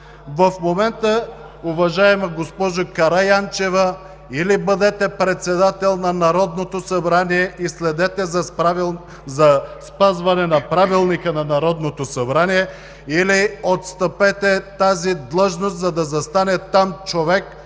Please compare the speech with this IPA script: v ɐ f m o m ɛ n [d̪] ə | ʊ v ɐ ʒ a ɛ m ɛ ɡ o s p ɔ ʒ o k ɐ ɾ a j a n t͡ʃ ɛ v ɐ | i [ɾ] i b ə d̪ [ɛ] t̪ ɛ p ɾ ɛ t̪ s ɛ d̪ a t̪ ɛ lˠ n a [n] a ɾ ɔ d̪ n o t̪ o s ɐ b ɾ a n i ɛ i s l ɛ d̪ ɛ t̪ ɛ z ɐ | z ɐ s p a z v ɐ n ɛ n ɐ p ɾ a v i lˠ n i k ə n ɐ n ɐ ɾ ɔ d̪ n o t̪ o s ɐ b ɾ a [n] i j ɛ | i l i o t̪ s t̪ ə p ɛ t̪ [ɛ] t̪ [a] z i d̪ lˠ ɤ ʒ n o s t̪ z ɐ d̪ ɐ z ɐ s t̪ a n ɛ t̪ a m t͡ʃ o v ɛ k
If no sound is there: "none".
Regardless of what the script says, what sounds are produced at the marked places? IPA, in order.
t̪, l, ɛ, n, n, ɛ, a

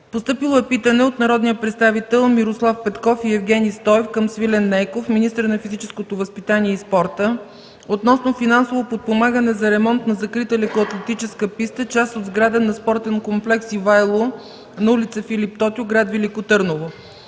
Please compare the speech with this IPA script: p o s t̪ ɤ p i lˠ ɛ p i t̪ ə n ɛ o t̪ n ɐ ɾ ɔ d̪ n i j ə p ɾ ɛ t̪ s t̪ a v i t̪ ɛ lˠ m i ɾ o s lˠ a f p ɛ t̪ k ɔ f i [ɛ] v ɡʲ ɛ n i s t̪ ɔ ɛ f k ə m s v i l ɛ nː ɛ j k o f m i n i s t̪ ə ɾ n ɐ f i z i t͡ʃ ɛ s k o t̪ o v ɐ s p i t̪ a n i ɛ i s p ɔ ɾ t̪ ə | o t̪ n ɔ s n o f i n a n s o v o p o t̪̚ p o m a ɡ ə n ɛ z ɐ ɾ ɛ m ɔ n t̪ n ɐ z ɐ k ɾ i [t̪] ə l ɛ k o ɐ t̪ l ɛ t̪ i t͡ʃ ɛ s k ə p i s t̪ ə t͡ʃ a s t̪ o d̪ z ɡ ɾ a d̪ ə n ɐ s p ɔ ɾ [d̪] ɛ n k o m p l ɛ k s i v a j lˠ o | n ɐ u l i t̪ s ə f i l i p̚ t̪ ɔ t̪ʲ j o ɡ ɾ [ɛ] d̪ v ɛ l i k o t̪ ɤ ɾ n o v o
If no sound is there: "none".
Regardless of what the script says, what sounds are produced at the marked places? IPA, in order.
ɛ, t̪, t̪, a

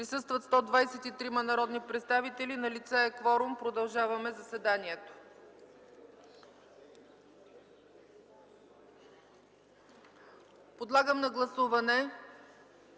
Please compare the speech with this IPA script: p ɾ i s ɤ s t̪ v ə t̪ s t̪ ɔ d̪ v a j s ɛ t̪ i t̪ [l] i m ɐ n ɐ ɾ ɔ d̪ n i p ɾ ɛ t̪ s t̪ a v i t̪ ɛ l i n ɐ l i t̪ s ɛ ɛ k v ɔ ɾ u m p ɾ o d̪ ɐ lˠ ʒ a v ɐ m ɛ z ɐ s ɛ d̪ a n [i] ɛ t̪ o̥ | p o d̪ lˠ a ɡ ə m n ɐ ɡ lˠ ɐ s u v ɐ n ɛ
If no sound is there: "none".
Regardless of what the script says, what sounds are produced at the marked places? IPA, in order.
ɾ, i

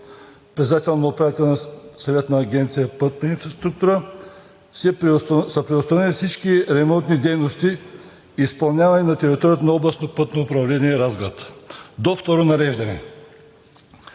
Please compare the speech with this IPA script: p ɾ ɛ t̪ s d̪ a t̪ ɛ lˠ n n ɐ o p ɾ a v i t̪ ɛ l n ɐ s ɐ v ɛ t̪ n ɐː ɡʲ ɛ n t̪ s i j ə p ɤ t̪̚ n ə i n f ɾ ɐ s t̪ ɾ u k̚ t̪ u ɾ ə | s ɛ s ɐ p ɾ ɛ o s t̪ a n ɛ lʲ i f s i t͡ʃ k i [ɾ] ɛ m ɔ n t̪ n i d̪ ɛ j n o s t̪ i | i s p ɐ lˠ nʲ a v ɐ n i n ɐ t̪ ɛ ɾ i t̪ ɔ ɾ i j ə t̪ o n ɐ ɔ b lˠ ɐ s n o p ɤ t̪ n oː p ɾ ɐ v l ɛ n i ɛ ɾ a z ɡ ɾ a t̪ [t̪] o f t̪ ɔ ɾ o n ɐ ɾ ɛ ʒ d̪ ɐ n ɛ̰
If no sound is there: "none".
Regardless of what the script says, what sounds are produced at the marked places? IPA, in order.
ɾ, d̪

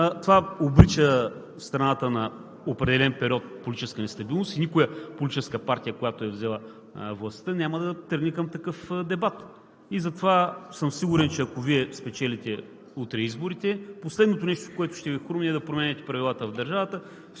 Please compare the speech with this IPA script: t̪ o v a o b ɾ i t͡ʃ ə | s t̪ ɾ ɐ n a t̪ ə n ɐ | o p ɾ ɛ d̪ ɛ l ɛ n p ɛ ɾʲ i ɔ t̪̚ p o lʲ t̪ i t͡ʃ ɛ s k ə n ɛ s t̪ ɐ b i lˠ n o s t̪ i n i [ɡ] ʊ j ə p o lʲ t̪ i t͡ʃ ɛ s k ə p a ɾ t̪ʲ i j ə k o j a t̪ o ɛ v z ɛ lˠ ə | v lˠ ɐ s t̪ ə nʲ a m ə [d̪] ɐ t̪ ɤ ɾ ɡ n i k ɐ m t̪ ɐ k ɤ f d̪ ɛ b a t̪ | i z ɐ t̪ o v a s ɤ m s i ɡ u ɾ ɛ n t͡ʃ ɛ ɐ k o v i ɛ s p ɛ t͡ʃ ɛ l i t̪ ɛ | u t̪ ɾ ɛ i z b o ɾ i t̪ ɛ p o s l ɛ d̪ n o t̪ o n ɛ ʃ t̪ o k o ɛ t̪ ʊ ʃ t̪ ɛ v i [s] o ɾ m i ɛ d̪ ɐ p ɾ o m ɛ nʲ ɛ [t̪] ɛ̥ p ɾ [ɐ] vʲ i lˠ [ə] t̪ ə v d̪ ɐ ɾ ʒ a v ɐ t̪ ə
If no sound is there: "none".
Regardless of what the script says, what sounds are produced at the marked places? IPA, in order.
k, d̪, x, t̪, ɐ, a

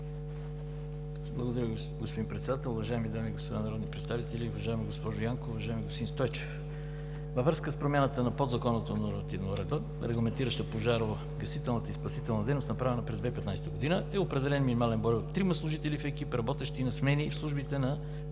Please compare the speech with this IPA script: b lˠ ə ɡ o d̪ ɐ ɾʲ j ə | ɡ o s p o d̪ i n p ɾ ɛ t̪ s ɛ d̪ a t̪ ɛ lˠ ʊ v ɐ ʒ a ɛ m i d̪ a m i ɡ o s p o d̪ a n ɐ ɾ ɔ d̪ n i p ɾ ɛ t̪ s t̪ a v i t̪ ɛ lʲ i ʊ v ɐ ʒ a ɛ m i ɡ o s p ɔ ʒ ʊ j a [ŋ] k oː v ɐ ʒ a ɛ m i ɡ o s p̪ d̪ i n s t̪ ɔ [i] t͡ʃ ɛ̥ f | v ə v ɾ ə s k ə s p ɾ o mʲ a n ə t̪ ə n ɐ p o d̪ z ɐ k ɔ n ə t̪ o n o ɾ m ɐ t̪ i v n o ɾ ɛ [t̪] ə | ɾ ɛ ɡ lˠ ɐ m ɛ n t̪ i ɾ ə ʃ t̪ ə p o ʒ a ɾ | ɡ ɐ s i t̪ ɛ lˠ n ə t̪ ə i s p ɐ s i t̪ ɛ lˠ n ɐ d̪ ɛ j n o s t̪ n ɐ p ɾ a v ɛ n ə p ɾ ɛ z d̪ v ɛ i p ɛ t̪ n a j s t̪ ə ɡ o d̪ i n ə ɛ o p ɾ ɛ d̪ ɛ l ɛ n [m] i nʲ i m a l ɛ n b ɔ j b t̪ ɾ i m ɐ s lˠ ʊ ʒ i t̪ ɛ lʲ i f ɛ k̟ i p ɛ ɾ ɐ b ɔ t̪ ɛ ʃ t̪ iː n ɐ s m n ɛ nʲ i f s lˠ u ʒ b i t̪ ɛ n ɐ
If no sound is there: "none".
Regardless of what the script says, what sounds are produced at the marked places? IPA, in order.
ŋ, j, d̪, m

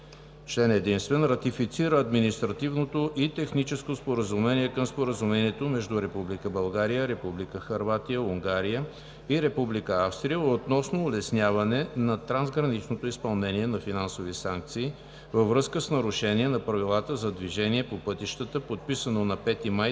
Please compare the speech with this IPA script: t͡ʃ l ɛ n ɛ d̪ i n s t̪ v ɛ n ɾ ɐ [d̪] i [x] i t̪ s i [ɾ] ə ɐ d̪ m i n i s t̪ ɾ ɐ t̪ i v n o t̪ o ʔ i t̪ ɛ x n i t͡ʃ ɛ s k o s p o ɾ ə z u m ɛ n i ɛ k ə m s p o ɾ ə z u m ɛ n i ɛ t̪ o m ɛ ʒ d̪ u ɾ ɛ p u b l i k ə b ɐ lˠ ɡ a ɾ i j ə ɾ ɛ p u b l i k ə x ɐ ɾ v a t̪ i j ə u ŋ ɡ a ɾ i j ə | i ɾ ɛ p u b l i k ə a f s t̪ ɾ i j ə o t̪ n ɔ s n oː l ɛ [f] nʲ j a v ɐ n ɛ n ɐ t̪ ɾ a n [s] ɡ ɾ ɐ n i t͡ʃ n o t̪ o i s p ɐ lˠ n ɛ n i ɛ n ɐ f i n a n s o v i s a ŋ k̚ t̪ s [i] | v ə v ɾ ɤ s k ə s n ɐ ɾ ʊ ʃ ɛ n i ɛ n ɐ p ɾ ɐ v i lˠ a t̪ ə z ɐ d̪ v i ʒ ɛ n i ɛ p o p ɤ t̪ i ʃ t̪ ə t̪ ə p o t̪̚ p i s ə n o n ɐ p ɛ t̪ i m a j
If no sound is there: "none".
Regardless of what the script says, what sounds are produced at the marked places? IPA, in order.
t̪, f, ɾ, s, z, iː

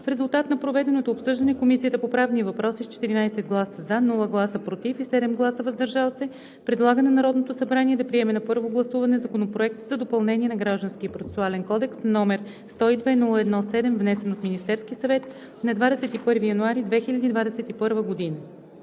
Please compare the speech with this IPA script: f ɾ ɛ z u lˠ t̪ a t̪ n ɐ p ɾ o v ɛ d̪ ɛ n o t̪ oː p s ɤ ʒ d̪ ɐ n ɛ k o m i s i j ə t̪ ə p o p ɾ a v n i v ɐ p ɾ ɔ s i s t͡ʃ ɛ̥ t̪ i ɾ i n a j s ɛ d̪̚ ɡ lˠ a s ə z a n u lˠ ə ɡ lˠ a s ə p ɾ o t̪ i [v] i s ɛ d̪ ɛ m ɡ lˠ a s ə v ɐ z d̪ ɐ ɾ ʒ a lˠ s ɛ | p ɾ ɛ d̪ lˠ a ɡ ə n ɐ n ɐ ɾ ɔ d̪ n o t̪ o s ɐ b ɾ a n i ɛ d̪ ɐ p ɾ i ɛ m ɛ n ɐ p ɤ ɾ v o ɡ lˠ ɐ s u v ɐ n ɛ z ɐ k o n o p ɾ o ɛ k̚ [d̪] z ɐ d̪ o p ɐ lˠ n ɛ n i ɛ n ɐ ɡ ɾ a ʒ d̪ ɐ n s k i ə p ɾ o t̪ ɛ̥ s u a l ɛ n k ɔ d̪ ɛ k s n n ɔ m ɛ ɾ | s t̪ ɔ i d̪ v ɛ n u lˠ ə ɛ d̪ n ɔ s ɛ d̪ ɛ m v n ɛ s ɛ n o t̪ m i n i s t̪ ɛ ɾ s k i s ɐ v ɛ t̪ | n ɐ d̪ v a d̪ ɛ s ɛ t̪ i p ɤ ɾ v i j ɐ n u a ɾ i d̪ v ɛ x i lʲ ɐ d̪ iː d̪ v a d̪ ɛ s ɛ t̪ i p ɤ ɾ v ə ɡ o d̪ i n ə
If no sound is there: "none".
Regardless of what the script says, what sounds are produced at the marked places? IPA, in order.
f, t̪

